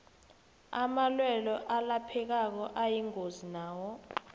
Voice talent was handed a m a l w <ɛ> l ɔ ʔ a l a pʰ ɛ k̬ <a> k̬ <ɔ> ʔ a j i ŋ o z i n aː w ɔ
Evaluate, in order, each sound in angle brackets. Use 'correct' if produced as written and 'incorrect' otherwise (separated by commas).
correct, correct, correct